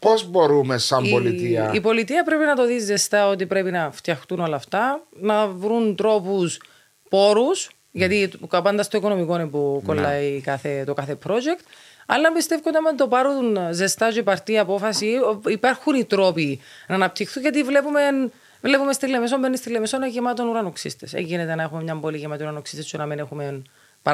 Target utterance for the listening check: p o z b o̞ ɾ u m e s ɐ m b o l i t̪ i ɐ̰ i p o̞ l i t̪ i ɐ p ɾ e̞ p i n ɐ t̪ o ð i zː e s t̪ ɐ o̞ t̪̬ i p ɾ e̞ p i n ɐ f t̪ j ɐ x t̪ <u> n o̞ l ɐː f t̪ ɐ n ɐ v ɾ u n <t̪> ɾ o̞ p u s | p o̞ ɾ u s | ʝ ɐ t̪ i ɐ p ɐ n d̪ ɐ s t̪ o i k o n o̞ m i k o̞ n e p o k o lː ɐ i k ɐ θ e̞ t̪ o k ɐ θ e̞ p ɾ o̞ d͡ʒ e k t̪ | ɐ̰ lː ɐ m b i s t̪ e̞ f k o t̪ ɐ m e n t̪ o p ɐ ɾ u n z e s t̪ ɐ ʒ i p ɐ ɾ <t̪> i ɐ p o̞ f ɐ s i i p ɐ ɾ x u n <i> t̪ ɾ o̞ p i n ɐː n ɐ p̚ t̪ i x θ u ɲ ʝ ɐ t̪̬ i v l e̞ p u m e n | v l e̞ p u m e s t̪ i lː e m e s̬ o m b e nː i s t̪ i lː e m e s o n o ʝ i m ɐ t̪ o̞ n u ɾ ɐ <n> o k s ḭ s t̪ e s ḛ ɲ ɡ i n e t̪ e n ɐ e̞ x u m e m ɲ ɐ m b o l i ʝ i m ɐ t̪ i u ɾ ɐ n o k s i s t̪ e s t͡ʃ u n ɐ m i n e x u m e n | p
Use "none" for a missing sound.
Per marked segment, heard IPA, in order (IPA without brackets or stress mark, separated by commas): u, t̪, t̪, i, n